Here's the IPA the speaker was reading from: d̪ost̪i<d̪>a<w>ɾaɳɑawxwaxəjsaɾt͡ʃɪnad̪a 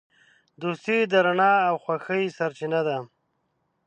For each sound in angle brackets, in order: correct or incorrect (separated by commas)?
correct, incorrect